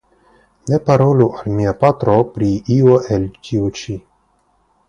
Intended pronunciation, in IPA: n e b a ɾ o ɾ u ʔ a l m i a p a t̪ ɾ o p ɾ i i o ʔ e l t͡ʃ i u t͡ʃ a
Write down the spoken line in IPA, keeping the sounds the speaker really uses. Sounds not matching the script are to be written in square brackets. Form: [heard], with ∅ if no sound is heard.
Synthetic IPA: n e [p] a ɾ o [l] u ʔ a l m i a p a t̪ ɾ o p ɾ i i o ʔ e l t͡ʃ i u t͡ʃ [i]